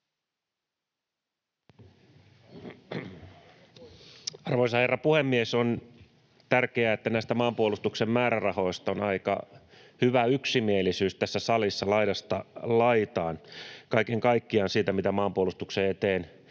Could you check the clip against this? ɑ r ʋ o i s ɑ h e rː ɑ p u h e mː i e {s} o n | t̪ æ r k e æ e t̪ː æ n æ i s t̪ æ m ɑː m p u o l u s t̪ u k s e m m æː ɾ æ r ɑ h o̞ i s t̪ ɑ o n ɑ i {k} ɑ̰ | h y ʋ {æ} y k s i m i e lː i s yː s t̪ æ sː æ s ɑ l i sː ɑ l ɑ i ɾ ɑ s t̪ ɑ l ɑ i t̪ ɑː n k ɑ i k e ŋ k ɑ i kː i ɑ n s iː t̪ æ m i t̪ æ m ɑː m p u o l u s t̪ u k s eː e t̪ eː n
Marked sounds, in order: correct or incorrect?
correct, correct, correct

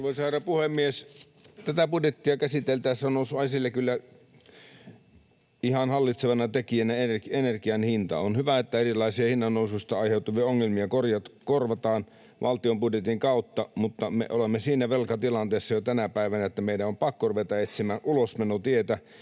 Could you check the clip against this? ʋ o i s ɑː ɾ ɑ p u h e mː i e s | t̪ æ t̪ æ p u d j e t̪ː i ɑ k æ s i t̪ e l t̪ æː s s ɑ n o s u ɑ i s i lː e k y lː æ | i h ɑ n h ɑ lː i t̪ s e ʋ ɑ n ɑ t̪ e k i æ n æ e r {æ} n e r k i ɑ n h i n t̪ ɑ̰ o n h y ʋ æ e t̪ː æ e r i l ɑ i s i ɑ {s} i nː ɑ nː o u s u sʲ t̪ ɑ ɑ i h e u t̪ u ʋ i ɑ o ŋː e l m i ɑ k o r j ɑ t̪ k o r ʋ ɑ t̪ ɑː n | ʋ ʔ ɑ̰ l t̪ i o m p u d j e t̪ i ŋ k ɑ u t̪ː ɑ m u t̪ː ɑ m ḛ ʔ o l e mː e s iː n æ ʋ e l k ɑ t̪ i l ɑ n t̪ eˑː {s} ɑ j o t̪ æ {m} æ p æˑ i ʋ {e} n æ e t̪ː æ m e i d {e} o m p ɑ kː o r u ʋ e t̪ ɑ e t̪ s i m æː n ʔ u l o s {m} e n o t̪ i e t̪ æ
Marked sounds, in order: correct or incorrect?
incorrect: e, incorrect: h, incorrect: sː, incorrect: n, incorrect: æ, incorrect: æ, correct

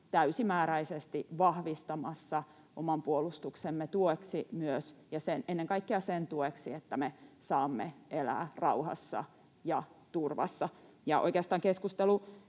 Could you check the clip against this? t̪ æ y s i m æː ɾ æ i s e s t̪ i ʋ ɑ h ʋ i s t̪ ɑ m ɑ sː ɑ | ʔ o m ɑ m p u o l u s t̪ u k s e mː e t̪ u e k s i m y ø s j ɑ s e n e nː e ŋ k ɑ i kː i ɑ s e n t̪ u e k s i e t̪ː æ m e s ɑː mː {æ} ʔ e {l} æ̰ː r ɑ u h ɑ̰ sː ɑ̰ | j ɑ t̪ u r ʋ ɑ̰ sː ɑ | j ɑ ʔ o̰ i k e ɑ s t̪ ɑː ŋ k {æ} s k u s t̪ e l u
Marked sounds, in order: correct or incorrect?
incorrect: e, correct, incorrect: e

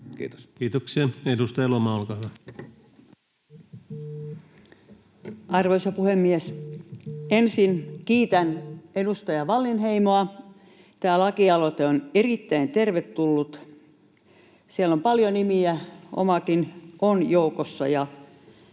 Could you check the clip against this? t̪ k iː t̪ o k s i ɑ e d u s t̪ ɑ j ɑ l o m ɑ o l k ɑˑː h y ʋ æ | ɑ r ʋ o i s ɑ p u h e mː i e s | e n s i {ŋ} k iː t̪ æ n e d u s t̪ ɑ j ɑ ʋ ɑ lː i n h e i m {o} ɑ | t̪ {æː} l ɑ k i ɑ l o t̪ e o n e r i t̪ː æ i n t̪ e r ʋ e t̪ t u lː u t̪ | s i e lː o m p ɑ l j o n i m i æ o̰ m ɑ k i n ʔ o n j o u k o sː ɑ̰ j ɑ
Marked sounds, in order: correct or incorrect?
incorrect: n, correct, correct

